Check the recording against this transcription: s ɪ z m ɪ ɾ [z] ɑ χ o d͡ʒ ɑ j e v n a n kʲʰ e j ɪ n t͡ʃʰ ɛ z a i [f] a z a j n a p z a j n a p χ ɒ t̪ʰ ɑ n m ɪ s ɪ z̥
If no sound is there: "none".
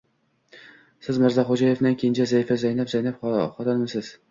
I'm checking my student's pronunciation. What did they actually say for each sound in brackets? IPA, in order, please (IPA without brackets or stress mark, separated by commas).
z, f